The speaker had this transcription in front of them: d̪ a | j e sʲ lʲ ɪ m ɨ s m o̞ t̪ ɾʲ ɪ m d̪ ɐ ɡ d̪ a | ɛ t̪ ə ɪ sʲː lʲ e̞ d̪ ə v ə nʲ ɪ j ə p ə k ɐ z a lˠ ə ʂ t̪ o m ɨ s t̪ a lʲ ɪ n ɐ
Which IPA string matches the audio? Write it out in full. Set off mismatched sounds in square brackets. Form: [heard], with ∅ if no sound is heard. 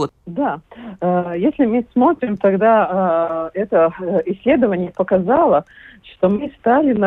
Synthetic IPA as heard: d̪ a | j e sʲ lʲ ɪ m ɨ s m o̞ t̪ ɾʲ ɪ m [t̪] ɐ ɡ d̪ a | ɛ t̪ ə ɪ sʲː lʲ e̞ d̪ ə v ə nʲ ɪ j ə p ə k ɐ z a lˠ ə ʂ t̪ o m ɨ s t̪ a lʲ ɪ n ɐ